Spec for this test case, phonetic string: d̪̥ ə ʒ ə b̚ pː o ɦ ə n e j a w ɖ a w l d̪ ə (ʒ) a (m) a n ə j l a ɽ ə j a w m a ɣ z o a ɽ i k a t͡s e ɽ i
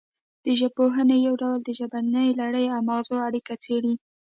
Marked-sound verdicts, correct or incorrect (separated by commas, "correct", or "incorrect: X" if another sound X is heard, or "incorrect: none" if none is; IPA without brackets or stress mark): correct, incorrect: b